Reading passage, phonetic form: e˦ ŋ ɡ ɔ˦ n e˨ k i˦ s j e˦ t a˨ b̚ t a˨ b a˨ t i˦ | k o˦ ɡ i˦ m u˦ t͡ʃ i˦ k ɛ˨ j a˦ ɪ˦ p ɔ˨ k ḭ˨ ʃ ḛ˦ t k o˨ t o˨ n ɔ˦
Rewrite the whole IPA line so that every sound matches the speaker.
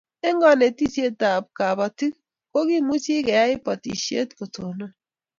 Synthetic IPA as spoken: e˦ ŋ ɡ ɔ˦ n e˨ t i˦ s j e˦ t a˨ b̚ k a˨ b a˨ t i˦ | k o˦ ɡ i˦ m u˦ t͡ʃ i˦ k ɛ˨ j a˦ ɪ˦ p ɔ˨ t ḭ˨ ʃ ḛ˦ t k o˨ t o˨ n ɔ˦